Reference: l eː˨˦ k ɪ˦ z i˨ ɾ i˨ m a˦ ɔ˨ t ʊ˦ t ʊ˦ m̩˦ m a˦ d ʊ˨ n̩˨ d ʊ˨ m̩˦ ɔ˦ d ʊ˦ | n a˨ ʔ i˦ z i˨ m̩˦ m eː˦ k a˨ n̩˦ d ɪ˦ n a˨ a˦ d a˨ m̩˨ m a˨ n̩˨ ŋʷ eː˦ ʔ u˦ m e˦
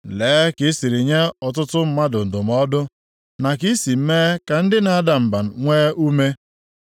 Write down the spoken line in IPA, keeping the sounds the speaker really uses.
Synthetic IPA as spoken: l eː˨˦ k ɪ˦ s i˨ ɾ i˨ ɲ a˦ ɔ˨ t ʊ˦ t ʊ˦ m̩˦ m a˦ d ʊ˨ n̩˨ d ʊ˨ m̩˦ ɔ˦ d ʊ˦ | n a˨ k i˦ s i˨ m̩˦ m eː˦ k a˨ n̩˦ d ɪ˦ n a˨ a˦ d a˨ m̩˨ b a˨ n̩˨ ŋʷ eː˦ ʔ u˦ m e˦